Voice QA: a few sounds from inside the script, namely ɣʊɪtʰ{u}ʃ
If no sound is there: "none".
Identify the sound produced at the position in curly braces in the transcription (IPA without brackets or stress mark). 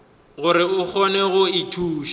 uː